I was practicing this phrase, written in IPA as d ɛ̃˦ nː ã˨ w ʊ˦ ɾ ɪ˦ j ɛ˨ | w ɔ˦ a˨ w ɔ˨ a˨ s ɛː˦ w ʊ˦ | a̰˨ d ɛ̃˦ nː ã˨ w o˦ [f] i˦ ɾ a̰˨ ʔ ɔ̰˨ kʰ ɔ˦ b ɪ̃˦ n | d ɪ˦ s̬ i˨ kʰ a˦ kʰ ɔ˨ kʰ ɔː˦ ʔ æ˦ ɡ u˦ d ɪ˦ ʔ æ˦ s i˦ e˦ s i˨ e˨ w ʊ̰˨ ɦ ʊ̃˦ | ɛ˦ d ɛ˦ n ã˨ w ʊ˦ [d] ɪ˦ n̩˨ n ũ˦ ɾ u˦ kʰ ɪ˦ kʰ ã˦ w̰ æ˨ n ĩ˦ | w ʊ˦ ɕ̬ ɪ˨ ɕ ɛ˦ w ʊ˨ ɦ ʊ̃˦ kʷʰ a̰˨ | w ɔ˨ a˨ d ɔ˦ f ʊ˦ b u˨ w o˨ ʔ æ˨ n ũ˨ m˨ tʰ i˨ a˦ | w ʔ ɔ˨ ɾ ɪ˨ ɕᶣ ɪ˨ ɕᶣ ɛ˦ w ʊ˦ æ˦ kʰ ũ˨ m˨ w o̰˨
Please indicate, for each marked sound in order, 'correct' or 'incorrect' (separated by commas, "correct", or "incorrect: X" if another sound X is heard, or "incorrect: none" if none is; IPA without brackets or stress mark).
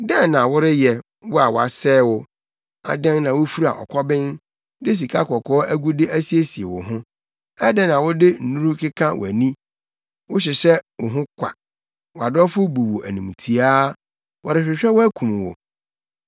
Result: correct, correct